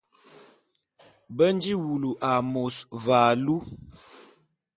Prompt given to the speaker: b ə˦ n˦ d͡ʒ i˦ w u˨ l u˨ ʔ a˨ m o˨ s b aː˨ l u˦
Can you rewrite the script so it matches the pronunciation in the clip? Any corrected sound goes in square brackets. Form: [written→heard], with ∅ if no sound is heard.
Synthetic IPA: b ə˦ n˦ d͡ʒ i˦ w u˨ l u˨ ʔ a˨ m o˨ s [b→v] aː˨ l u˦